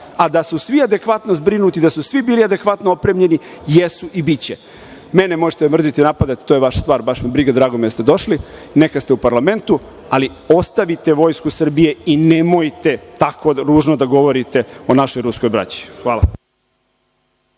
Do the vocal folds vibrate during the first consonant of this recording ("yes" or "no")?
yes